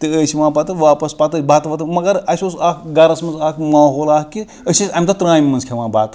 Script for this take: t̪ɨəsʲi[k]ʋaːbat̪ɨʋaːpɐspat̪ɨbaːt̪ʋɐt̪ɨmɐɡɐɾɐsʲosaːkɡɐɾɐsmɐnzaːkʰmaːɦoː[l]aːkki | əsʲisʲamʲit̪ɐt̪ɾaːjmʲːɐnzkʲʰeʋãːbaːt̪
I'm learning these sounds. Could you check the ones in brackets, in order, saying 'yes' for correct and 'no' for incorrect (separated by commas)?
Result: no, yes